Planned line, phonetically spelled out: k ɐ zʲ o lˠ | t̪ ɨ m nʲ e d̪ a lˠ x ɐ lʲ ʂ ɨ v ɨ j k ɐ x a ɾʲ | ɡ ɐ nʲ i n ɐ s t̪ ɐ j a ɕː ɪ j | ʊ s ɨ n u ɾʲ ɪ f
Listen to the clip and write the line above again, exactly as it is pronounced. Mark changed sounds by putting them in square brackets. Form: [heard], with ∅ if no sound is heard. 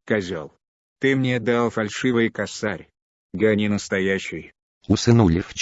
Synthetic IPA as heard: k ɐ zʲ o lˠ | t̪ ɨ m nʲ e d̪ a lˠ [f] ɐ lʲ ʂ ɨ v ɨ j k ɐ [s] a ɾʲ | ɡ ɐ nʲ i n [ə] s t̪ ɐ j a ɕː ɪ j | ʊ s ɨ n u [lʲ] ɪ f